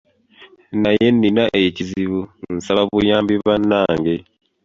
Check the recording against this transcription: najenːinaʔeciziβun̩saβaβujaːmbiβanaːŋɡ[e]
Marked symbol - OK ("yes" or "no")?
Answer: yes